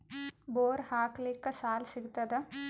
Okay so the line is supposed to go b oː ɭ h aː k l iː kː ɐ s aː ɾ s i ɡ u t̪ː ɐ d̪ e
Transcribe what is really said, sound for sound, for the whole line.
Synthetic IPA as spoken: b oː ɾ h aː k l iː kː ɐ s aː l s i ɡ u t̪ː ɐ d̪ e